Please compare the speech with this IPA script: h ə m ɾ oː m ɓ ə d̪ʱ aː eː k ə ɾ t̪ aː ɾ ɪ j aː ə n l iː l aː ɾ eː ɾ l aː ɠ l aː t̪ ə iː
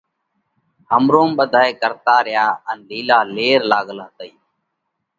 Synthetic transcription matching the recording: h ə m ɾ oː m ɓ ə d̪ʱ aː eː k ə ɾ t̪ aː ɾ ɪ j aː ə n l iː l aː l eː ɾ l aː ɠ l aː t̪ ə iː